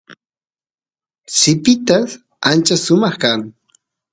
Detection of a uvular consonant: present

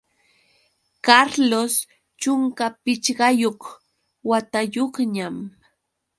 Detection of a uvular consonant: present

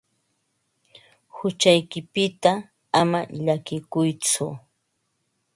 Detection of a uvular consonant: absent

